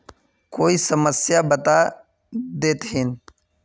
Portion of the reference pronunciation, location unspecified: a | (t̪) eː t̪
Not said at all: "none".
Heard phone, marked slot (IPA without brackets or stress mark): d̪